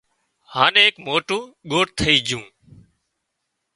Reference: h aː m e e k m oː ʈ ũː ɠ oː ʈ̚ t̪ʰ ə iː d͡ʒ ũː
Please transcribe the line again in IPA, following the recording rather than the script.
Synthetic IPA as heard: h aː n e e k m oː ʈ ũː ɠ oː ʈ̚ t̪ʰ ə iː d͡ʒ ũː